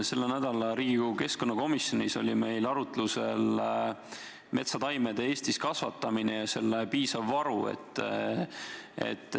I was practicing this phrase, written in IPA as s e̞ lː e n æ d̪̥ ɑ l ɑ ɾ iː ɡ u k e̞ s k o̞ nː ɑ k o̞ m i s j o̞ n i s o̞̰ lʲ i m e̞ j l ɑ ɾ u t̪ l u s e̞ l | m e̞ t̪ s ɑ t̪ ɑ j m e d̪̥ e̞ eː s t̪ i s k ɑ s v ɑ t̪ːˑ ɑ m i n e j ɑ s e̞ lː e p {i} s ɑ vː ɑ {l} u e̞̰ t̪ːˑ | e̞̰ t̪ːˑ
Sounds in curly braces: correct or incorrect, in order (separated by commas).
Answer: incorrect, incorrect